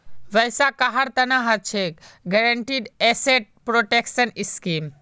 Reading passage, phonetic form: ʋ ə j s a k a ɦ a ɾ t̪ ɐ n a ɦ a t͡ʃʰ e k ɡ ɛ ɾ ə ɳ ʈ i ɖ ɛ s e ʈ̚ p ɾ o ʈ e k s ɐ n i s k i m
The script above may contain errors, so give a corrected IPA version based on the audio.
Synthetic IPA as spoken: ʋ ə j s a k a ɦ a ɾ t̪ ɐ n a ɦ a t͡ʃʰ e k ɡ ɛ ɾ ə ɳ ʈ i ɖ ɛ s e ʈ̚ p ɾ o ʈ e k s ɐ n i s k i m

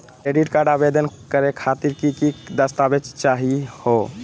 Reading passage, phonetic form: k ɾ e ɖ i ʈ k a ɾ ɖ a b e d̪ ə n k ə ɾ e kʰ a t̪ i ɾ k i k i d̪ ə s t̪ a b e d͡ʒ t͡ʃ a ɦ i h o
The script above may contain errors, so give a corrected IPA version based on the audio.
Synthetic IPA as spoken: k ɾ e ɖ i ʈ k a ɾ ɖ a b e d̪ ə n k ə ɾ e kʰ a t̪ i ɾ k i k i d̪ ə s t̪ a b e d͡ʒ t͡ʃ a ɦ i h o

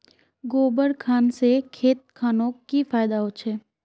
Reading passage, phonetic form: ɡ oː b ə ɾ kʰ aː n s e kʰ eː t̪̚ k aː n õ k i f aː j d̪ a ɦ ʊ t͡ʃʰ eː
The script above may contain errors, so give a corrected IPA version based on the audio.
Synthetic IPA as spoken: ɡ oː b ə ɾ kʰ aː n s e kʰ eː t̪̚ kʰ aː n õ k i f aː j d̪ a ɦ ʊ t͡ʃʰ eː

